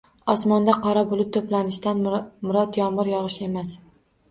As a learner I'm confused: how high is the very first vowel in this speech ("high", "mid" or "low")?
low